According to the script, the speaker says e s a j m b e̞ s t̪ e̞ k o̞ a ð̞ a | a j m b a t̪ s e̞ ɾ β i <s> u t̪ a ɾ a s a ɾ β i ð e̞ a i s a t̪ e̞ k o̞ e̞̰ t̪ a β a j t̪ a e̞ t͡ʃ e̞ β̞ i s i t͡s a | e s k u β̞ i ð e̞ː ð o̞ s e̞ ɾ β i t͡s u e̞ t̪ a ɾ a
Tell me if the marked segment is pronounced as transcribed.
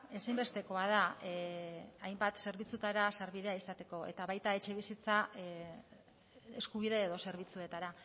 no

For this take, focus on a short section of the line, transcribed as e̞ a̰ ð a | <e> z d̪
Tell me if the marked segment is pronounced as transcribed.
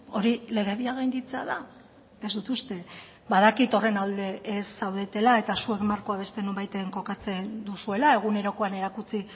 yes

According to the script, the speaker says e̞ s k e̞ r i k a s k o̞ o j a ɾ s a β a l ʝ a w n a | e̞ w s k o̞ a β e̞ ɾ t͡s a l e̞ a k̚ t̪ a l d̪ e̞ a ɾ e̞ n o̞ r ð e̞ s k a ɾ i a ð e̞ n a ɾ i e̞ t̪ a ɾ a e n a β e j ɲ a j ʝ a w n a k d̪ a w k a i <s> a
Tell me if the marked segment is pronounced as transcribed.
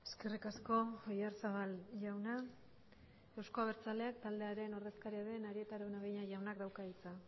no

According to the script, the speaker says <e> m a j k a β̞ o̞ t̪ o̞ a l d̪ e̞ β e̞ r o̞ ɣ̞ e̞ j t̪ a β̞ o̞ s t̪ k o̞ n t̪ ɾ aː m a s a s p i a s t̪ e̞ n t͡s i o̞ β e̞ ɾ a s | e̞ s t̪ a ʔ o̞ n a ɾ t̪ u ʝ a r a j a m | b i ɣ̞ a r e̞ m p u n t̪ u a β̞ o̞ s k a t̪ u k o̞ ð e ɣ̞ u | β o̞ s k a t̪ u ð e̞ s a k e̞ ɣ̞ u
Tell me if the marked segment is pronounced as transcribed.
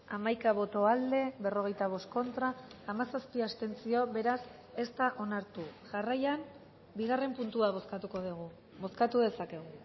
no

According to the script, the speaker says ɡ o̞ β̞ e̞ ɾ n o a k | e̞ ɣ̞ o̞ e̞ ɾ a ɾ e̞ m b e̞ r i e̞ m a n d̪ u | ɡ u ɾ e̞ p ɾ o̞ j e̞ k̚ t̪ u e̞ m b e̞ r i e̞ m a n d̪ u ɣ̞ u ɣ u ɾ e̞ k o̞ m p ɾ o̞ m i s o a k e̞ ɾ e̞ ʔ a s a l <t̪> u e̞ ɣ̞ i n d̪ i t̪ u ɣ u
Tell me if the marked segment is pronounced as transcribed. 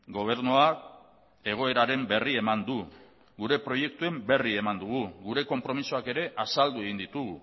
no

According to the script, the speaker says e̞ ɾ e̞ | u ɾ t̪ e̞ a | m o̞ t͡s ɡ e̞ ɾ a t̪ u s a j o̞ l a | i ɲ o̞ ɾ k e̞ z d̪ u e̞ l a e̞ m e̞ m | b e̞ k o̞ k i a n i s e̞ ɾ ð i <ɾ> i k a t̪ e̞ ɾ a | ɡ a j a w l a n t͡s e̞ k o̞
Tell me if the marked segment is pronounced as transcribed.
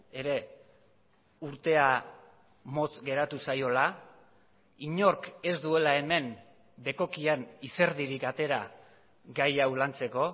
yes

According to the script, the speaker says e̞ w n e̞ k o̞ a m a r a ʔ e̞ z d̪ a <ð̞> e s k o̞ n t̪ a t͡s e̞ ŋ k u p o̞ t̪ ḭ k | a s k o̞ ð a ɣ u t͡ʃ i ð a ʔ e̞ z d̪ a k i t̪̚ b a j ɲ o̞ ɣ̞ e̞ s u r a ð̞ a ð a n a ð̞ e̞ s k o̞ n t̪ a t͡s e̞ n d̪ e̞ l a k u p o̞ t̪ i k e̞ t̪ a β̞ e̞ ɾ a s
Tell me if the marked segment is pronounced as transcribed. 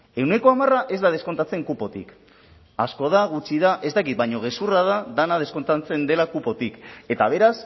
yes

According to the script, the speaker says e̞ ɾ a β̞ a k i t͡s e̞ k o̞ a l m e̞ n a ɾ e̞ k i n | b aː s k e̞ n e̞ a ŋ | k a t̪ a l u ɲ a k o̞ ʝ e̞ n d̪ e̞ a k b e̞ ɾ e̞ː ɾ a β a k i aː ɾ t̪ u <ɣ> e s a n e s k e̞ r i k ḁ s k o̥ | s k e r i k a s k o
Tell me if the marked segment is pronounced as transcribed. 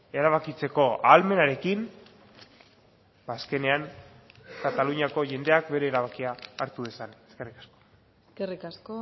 no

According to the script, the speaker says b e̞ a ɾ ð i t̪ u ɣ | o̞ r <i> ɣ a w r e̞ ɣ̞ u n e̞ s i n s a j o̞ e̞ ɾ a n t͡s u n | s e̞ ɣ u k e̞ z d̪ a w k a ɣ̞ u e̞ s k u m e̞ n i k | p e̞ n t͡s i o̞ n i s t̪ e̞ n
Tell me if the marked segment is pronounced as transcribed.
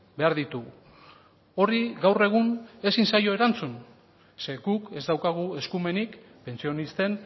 yes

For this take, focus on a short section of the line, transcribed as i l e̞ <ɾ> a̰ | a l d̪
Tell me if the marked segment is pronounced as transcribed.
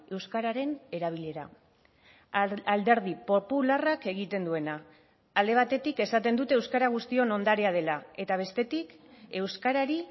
yes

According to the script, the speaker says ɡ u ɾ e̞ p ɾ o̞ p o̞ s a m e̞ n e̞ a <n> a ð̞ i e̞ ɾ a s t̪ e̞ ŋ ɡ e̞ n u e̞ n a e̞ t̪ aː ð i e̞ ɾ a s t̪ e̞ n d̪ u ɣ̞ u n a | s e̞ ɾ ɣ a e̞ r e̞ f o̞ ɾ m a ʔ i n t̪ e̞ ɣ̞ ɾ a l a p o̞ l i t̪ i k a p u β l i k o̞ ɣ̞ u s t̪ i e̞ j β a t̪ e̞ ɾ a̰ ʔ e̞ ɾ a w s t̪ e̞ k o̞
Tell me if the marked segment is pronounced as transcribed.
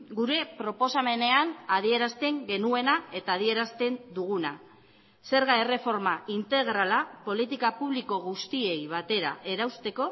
yes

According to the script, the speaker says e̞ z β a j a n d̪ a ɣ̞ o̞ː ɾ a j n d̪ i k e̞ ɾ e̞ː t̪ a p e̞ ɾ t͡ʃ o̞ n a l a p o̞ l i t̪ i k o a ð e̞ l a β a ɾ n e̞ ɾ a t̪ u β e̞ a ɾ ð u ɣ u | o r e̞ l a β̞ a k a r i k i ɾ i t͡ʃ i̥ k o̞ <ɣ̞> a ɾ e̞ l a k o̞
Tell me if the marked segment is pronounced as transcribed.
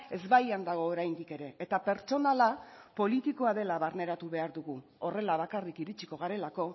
yes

